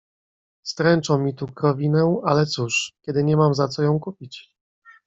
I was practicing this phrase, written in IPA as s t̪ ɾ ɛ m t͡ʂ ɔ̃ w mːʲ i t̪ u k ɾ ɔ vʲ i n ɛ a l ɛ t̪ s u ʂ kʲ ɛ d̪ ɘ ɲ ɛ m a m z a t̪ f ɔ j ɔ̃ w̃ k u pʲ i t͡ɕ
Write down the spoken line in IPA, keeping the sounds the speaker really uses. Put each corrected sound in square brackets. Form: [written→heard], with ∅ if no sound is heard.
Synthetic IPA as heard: s t̪ ɾ ɛ [m→n] t͡ʂ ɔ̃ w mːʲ i t̪ u k ɾ ɔ vʲ i n ɛ a l ɛ t̪ s u ʂ kʲ ɛ d̪ ɘ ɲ ɛ m a m z a t̪ [f→s] ɔ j ɔ̃ w̃ k u pʲ i t͡ɕ